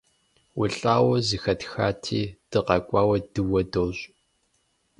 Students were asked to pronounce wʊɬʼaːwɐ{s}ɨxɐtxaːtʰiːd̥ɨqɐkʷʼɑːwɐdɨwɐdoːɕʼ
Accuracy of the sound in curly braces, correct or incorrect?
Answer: incorrect: z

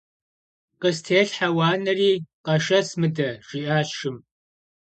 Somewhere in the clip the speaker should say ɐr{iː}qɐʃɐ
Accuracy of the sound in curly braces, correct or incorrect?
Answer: correct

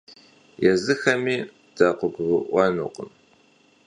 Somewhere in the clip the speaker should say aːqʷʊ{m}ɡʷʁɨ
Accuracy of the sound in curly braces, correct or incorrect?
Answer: incorrect: none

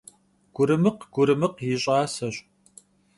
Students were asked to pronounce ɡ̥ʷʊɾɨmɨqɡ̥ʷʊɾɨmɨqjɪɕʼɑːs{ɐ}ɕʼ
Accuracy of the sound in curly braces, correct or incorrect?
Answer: correct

